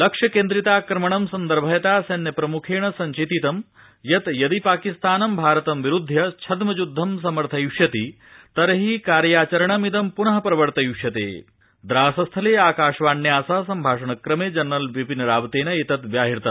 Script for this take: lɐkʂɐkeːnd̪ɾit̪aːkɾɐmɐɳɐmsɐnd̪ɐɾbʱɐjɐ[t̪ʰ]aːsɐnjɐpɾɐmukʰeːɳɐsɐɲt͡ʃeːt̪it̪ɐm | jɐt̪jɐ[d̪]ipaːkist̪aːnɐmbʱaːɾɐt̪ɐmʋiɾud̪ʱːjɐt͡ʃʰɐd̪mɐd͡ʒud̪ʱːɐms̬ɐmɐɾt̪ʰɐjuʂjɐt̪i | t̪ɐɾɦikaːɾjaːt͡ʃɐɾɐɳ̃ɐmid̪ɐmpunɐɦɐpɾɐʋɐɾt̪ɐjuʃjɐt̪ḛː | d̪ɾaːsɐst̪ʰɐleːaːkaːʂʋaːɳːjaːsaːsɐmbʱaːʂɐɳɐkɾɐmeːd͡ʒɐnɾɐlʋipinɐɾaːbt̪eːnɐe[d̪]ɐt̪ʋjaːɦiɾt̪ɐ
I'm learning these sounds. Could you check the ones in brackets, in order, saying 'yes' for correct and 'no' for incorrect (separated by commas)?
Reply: no, yes, no